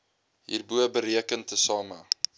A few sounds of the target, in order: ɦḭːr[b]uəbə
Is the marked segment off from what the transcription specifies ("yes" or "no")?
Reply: no